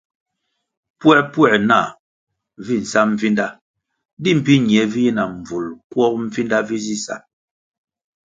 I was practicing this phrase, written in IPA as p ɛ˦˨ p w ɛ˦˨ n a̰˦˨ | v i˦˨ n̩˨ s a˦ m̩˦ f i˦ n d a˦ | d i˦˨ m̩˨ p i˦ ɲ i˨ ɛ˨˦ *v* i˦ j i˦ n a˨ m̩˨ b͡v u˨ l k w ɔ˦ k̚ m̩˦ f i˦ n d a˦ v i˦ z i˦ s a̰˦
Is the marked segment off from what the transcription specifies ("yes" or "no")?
no